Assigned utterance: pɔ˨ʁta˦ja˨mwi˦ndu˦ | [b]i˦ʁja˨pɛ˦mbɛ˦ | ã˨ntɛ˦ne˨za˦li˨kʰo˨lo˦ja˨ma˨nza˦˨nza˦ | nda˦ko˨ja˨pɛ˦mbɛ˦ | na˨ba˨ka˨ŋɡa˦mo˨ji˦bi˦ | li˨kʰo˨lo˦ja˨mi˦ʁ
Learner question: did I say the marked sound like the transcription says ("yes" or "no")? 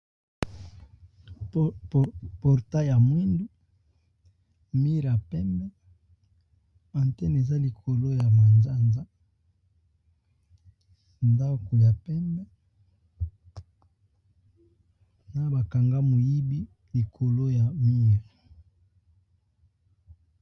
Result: no